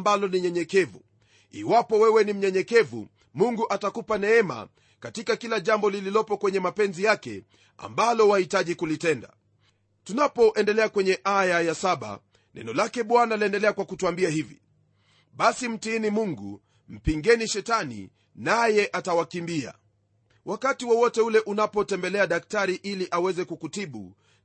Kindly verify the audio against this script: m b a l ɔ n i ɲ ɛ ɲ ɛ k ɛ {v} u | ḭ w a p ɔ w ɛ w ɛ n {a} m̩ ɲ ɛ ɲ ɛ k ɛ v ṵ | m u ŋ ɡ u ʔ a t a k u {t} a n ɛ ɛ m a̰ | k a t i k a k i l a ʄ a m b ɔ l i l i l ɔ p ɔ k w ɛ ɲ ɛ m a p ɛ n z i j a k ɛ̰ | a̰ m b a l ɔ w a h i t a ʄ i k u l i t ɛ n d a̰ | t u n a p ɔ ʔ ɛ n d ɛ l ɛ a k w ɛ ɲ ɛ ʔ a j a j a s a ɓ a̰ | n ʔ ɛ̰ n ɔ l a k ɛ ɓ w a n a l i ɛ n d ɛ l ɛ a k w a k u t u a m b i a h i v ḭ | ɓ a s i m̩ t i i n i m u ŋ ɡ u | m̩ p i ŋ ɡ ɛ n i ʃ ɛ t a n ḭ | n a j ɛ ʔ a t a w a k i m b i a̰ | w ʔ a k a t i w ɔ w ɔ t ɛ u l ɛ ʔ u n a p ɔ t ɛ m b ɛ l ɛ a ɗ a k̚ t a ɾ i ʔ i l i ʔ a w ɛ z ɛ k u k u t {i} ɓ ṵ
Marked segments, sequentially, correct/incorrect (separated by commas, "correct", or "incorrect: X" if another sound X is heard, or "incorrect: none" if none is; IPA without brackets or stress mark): correct, incorrect: i, incorrect: p, correct